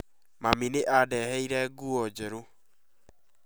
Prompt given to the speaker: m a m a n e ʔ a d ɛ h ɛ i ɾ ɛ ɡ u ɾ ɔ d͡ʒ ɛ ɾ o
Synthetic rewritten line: m a m i n e ʔ a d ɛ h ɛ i ɾ ɛ ɡ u ɔ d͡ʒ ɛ ɾ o